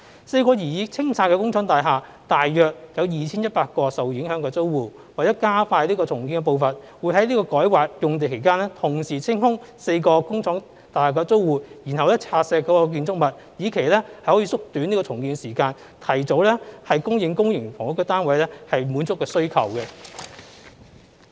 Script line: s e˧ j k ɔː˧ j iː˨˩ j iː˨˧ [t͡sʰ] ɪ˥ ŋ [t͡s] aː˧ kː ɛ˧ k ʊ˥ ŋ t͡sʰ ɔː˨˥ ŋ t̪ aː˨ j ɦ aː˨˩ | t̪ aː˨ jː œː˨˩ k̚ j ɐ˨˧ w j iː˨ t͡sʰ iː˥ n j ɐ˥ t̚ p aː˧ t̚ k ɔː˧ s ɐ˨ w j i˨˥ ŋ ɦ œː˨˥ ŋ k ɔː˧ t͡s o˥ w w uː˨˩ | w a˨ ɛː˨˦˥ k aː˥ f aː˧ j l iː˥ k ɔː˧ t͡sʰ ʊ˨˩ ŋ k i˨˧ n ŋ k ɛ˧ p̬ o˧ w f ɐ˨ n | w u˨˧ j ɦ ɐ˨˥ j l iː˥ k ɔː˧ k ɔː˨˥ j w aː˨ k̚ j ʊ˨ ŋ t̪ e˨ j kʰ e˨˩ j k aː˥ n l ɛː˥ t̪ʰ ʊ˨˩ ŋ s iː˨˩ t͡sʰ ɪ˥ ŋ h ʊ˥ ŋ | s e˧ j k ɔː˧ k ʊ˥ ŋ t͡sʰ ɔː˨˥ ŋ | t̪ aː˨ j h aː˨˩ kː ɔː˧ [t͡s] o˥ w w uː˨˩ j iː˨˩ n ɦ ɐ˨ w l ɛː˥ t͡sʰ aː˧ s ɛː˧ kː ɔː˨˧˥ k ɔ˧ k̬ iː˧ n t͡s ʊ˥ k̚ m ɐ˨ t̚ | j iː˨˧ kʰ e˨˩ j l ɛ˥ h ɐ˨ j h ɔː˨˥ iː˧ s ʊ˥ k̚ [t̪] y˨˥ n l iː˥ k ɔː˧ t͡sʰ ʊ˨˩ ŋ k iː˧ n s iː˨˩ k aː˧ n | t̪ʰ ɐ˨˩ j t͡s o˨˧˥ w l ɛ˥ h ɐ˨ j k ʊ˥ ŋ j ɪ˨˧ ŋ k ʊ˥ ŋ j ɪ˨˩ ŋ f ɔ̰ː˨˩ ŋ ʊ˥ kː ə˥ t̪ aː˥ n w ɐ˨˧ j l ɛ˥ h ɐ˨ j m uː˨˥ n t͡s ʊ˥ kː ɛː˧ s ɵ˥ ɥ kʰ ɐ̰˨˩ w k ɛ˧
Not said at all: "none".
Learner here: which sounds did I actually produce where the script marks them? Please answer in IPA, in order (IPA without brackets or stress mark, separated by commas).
t͡sʰ, t͡sʰ, t͡s, t̪